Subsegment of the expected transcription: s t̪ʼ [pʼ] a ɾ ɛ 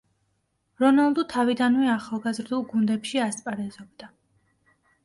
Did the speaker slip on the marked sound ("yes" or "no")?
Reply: no